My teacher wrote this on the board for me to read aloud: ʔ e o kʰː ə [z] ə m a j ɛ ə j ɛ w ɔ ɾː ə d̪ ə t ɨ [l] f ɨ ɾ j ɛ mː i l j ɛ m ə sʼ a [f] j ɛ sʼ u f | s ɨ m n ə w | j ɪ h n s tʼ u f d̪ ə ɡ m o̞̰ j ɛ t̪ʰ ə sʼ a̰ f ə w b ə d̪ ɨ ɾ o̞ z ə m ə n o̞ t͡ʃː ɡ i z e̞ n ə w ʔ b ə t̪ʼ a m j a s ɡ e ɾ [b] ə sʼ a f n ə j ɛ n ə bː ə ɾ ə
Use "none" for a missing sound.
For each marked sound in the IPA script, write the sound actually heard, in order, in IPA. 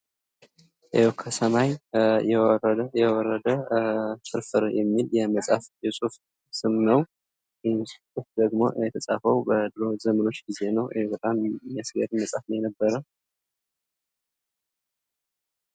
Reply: s, ɾ, f, m

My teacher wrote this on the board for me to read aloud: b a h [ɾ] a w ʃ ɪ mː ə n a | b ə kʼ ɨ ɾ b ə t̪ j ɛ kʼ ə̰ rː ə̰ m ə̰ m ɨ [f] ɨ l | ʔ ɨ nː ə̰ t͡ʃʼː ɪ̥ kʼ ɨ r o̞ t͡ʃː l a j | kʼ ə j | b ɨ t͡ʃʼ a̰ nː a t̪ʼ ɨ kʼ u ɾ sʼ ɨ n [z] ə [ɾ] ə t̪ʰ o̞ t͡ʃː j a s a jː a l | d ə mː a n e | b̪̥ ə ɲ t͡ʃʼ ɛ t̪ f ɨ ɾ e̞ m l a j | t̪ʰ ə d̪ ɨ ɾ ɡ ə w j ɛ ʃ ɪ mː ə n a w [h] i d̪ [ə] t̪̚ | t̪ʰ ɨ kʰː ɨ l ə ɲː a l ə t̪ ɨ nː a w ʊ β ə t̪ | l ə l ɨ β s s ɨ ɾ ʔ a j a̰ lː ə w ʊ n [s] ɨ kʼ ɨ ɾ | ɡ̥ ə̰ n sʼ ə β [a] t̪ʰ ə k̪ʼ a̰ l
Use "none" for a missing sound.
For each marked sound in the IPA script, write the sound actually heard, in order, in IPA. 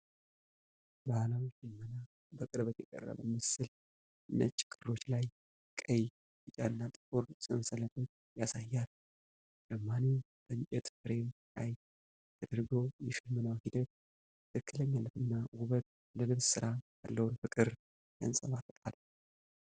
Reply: l, s, s, l, h, ə, f, a

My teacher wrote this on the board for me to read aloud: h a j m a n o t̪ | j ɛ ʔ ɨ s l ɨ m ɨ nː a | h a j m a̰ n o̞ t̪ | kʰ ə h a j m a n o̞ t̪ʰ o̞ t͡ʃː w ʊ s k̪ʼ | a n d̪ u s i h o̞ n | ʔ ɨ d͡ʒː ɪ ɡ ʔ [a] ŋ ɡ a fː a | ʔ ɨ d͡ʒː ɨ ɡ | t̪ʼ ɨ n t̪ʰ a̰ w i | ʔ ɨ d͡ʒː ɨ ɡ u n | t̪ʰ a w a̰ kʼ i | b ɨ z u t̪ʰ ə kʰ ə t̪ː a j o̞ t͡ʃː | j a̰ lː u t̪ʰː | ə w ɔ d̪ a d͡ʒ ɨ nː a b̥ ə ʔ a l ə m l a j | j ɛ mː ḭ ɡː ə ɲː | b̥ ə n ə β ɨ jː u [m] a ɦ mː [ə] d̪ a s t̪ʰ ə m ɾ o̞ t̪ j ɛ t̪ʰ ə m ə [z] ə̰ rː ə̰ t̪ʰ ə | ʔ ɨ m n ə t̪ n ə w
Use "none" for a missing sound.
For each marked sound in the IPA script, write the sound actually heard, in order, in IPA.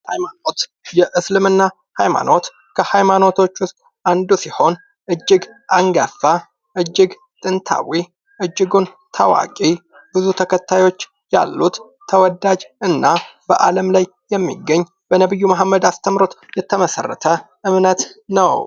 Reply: a, m, ə, s

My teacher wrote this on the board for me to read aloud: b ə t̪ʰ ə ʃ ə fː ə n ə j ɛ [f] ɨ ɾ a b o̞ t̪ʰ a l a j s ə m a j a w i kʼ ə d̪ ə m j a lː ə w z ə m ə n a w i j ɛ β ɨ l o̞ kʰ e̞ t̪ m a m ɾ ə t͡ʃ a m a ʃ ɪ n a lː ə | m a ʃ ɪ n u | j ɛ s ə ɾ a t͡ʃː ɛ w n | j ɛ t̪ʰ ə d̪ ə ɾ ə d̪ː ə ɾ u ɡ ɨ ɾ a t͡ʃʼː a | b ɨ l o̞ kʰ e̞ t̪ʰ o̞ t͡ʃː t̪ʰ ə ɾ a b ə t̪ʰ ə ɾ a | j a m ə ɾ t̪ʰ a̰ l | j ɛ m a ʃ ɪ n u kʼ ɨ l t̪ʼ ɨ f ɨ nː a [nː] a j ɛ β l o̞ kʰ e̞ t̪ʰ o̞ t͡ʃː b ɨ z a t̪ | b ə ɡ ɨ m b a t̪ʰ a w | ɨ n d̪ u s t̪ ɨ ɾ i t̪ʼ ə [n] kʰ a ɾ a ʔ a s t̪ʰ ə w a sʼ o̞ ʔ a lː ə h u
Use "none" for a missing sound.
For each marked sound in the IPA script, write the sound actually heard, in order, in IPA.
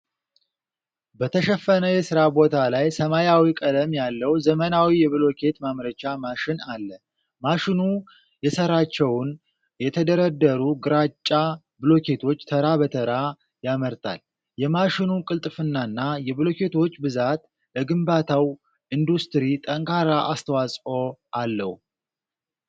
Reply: s, nː, ŋ

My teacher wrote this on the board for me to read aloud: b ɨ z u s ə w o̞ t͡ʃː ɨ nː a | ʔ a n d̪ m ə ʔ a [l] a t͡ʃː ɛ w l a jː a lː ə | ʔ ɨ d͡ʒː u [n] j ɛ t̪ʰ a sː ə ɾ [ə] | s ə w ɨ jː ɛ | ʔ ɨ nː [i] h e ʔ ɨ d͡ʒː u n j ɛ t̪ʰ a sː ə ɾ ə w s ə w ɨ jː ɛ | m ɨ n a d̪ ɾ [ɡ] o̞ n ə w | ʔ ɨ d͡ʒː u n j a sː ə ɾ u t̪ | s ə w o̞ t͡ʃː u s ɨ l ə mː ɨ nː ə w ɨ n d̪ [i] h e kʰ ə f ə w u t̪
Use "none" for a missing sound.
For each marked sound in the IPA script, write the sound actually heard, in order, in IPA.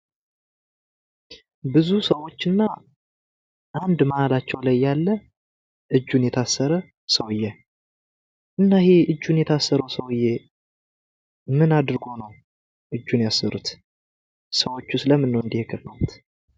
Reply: l, n, ə, a, ɡ, i

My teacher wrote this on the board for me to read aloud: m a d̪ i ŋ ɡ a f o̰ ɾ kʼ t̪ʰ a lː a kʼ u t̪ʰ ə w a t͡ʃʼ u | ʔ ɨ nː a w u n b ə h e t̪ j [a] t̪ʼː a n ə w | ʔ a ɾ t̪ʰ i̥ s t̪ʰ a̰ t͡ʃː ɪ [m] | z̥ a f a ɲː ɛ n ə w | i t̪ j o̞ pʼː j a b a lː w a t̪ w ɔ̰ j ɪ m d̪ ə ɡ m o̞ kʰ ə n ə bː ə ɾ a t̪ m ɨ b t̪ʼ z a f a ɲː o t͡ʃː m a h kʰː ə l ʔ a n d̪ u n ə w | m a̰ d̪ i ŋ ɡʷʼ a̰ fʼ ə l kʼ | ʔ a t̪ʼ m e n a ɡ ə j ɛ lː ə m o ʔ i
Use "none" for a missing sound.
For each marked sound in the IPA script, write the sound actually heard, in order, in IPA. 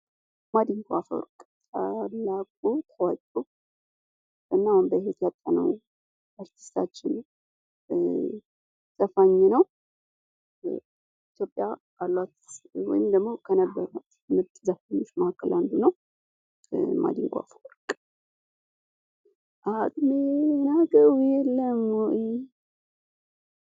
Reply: a, n

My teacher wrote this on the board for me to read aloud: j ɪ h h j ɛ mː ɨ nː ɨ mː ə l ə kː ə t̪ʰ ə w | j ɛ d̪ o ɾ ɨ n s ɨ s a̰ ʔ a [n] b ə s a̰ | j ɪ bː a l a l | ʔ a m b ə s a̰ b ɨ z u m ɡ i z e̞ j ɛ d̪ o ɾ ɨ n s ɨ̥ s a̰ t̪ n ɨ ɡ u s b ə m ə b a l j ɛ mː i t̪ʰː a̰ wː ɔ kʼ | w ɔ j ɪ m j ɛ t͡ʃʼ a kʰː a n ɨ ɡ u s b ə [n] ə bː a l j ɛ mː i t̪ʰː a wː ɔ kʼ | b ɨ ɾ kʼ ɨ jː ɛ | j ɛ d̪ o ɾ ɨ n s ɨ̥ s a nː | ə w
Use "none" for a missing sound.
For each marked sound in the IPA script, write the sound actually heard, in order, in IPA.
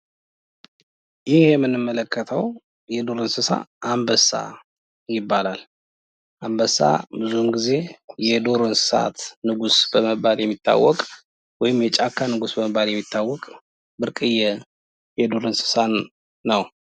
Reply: m, m

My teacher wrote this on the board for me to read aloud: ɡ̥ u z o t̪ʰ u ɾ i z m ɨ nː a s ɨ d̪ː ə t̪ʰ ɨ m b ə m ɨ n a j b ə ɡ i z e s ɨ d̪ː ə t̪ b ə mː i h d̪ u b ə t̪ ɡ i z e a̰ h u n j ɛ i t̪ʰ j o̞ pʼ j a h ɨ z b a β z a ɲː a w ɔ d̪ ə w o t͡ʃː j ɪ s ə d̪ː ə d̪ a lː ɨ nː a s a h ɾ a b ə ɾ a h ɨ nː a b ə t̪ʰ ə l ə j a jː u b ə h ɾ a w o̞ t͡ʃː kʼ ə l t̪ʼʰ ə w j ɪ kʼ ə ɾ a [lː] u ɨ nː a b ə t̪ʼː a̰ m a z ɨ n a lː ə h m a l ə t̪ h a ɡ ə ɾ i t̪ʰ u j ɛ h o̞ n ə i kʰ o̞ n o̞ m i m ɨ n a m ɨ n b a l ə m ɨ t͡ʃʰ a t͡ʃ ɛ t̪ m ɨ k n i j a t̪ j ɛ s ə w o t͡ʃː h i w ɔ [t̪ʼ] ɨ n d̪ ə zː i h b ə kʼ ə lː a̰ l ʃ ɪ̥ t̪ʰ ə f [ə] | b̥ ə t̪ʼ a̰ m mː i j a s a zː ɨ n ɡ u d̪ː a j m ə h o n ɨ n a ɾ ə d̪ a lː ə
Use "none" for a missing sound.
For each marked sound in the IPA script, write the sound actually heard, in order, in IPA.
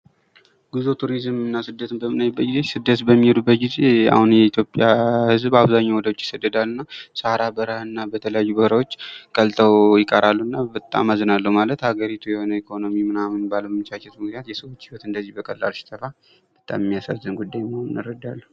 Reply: lː, t̪, a

